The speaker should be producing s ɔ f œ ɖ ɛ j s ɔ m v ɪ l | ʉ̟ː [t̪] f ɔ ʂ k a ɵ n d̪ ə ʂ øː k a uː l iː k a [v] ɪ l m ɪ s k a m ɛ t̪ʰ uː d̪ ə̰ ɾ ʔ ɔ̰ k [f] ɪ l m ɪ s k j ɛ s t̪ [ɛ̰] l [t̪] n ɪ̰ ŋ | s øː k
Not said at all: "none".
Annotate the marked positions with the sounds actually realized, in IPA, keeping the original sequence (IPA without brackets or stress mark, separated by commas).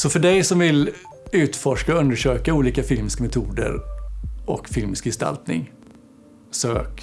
t̪, f, f, a̰, t̪